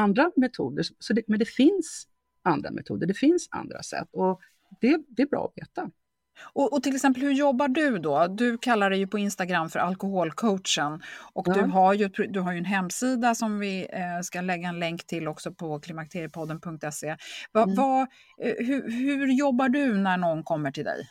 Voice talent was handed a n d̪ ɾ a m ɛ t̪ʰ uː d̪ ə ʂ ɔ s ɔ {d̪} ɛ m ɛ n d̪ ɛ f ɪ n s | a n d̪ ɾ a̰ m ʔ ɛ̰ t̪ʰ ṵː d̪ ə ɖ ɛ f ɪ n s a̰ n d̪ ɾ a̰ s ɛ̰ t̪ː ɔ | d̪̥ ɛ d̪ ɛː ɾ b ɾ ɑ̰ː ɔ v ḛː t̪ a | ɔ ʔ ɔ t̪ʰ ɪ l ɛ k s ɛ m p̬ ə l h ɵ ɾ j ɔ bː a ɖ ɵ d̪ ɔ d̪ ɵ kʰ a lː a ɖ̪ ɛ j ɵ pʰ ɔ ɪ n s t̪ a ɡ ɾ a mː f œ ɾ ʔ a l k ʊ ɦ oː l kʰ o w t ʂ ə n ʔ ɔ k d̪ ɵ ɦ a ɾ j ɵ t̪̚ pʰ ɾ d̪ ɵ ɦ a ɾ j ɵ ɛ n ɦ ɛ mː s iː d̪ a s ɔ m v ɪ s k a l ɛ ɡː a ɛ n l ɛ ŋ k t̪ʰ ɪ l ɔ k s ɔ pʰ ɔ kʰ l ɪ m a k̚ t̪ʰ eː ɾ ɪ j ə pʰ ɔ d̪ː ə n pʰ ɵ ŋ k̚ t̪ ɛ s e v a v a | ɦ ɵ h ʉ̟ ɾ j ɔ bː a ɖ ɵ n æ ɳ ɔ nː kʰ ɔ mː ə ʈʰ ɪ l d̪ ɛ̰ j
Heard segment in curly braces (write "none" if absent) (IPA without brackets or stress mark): d̪